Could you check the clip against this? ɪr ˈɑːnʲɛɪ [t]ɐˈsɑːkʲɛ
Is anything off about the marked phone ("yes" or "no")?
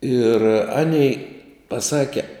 yes